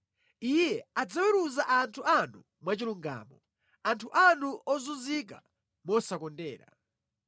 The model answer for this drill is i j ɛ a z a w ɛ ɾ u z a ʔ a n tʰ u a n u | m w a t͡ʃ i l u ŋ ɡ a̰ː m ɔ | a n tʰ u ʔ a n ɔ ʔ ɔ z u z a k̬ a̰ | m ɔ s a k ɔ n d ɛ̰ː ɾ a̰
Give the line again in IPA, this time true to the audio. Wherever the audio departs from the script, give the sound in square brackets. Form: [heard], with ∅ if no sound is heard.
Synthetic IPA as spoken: i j ɛ a [d͡z] a w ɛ ɾ u z a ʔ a n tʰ u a n u | m w a t͡ʃ i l u ŋ ɡ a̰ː m ɔ | a n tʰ u ʔ a n [u] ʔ ɔ z u z [i] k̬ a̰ | m ɔ s a k ɔ n d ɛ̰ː ɾ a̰

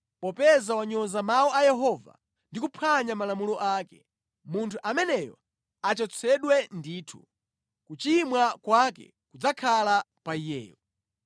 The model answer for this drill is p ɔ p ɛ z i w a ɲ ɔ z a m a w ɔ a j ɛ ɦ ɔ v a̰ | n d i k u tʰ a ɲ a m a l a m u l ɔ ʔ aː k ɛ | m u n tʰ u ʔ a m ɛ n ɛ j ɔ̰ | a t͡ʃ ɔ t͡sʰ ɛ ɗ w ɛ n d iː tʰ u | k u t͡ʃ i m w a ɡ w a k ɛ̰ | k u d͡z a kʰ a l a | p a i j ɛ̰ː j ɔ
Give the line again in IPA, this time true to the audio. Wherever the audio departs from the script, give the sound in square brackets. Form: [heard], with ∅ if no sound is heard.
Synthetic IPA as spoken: p ɔ p ɛ z [a] w a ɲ ɔ z a m a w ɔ a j ɛ ɦ ɔ v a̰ | n d i k u [pʰ] a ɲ a m a l a m u l ɔ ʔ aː k ɛ | m u n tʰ u ʔ a m ɛ n ɛ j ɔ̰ | a t͡ʃ ɔ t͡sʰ ɛ ɗ w ɛ n d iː tʰ u | k u t͡ʃ i m w a [k] w a k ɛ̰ | k u d͡z a kʰ a l a | p a i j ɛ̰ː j ɔ

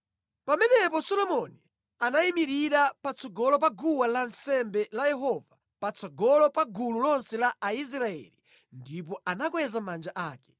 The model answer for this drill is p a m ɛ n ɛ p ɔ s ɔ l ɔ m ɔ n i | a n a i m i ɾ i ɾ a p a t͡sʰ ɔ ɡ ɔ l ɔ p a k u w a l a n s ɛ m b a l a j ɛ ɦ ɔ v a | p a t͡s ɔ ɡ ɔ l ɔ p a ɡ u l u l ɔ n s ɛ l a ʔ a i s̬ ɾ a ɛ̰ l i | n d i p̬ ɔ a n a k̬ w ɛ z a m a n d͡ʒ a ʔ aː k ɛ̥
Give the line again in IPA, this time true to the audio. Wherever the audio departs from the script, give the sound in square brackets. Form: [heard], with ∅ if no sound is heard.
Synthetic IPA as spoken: p a m ɛ n ɛ p ɔ s ɔ l ɔ m ɔ n i | a n a i m i ɾ i ɾ a p a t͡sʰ ɔ ɡ ɔ l ɔ p a [ɡ] u w a l a n s ɛ m b [ɛ] l a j ɛ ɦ ɔ v a | p a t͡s ɔ ɡ ɔ l ɔ p a ɡ u l u l ɔ n s ɛ l a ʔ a i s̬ ɾ a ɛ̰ l i | n d i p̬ ɔ a n a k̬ w ɛ z a m a n d͡ʒ a ʔ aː k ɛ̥

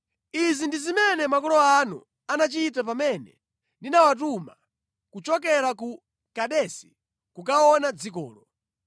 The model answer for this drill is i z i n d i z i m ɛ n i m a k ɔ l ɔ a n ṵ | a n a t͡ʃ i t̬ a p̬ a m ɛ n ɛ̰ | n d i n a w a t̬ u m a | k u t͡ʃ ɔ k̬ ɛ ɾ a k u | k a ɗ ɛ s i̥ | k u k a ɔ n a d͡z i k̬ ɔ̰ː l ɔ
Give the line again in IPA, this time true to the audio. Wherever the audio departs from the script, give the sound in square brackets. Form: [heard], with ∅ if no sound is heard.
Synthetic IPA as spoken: i z i n d i z i m ɛ n [ɛ] m a k ɔ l ɔ a n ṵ | a n a t͡ʃ i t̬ a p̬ a m ɛ n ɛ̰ | n d i n a w a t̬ u m a | k u t͡ʃ ɔ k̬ ɛ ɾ a k u | k a ɗ ɛ s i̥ | k u k a ɔ n a d͡z i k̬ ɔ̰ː l ɔ

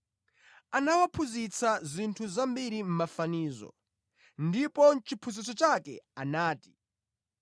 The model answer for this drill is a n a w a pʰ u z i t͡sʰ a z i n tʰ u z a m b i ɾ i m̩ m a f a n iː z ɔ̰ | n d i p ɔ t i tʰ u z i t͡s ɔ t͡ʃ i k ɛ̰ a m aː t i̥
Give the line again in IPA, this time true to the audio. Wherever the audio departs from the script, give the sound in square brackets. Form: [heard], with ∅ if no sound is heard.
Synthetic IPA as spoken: a n a w a pʰ u z i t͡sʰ a z i n tʰ u z a m b i ɾ i m̩ m a f a n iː z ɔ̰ | n d i p ɔ [t͡ʃ] i [pʰ] u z i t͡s ɔ t͡ʃ [a] k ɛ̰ a [n] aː t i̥

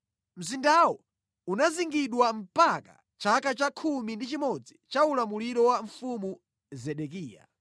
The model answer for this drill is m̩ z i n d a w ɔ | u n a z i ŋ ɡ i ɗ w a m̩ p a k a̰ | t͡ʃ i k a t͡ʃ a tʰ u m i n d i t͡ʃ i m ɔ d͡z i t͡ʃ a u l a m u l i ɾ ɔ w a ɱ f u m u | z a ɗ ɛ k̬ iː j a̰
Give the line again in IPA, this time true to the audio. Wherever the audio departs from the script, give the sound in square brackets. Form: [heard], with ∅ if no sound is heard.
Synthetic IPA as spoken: m̩ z i n d a w ɔ | u n a z i ŋ ɡ i ɗ w a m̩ p a k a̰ | t͡ʃ [a] k a t͡ʃ a [kʰ] u m i n d i t͡ʃ i m ɔ d͡z i t͡ʃ a u l a m u l i ɾ ɔ w a ɱ f u m u | z [ɛ] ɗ ɛ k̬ iː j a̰

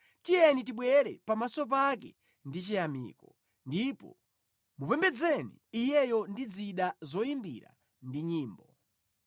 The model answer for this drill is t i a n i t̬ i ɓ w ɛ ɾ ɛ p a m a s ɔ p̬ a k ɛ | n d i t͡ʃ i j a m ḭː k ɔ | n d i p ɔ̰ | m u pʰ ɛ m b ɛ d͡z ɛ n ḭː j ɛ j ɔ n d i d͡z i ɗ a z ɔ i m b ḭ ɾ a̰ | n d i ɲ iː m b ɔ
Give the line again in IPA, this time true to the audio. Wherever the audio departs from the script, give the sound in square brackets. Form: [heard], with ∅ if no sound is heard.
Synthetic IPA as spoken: t i [ɛ] n i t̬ i ɓ w ɛ ɾ ɛ p a m a s ɔ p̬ a k ɛ | n d i t͡ʃ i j a m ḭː k ɔ | n d i p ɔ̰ | m u [p] ɛ m b ɛ d͡z ɛ n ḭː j ɛ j ɔ n d i d͡z i ɗ a z ɔ i m b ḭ ɾ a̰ | n d i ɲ iː m b ɔ

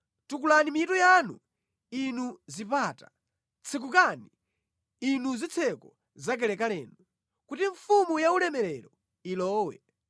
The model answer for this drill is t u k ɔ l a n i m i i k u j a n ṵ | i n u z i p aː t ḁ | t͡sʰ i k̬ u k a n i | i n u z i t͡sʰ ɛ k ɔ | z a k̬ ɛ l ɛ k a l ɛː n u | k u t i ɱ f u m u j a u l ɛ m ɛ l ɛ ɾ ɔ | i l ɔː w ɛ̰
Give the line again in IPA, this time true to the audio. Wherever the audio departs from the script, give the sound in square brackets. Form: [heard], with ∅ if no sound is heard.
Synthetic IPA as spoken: t u k [u] l a n i m i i [t] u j a n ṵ | i n u z i p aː t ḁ | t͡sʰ i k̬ u k a n i | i n u z i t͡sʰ ɛ k ɔ | z a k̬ ɛ l ɛ k a l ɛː n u | k u t i ɱ f u m u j a u l ɛ m ɛ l ɛ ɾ ɔ | i l ɔː w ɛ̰

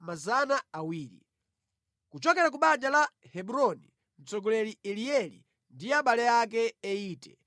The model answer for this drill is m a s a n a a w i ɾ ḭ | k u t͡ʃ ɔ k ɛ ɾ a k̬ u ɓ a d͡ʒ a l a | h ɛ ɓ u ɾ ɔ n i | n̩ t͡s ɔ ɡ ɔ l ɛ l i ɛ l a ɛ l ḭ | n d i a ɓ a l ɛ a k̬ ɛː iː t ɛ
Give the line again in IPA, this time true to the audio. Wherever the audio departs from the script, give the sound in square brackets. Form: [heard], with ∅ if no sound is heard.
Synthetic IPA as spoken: m a [z] a n a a w [iː] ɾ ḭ | k u t͡ʃ ɔ k ɛ ɾ a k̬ u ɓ a d͡ʒ a l a | h ɛ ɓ u ɾ ɔ n i | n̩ t͡s ɔ ɡ ɔ l ɛ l i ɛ l [i] ɛ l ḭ | n d i a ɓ a l ɛ a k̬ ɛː iː t ɛ

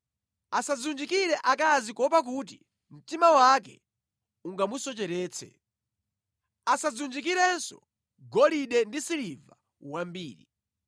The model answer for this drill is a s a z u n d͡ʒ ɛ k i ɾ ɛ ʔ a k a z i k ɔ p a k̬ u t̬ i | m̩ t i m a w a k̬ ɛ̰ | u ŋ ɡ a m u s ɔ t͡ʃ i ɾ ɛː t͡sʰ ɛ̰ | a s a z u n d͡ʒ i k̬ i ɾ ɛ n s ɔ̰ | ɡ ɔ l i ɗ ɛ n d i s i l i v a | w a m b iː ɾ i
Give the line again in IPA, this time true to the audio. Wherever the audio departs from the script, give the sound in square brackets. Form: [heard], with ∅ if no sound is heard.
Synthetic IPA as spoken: a s a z u n d͡ʒ [i] k i ɾ ɛ ʔ a k a z i k ɔ p a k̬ u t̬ i | m̩ t i m a w a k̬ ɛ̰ | u ŋ ɡ a m u s ɔ t͡ʃ [ɛ] ɾ ɛː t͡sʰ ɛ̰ | a s a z u n d͡ʒ i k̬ i ɾ ɛ n s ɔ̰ | ɡ ɔ l i ɗ ɛ n d i s i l i v a | w a m b iː ɾ i

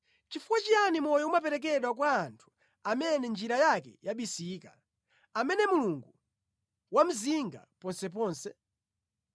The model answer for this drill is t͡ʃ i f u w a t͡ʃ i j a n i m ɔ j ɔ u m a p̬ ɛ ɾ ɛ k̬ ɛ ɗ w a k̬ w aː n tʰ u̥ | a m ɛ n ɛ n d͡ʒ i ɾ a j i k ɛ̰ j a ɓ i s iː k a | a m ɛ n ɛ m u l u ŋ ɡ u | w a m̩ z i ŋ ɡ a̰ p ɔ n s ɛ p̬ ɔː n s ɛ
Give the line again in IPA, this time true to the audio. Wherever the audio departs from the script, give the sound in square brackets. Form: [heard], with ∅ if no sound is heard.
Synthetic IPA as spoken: t͡ʃ i f u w a t͡ʃ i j a n i m ɔ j ɔ u m a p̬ ɛ ɾ ɛ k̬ ɛ ɗ w a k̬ w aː n tʰ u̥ | a m ɛ n ɛ n d͡ʒ i ɾ a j [a] k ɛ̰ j a ɓ i s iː k a | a m ɛ n ɛ m u l u ŋ ɡ u | w a m̩ z i ŋ ɡ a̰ p ɔ n s ɛ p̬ ɔː n s ɛ

